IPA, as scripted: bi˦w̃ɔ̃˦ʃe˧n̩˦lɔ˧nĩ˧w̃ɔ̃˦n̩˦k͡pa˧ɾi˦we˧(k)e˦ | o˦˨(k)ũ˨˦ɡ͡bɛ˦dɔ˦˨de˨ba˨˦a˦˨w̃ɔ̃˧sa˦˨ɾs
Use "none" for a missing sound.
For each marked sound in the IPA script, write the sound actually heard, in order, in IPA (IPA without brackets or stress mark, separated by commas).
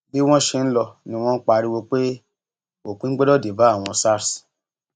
k͡p, k